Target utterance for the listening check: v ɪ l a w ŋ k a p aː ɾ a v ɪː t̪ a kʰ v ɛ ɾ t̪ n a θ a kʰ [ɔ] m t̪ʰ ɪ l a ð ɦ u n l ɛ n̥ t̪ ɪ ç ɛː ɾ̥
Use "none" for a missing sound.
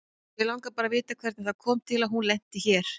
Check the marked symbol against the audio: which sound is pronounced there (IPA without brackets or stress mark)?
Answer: ɔː